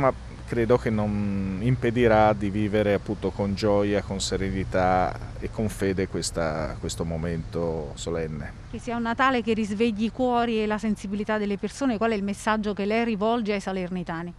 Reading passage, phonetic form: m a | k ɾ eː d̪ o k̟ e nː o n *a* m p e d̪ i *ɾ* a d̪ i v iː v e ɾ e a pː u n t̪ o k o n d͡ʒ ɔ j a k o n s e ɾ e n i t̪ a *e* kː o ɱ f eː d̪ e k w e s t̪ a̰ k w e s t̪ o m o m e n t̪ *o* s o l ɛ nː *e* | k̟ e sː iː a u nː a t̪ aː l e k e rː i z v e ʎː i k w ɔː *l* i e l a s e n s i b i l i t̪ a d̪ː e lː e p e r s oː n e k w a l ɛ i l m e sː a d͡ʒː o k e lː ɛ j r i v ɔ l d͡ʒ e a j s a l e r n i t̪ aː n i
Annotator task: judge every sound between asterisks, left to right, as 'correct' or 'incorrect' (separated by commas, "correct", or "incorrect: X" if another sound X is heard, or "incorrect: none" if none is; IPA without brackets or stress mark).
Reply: incorrect: i, correct, correct, correct, correct, incorrect: ɾ